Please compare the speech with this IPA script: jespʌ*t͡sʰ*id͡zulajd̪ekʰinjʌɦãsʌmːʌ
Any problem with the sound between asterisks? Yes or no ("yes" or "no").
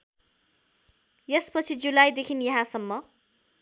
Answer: no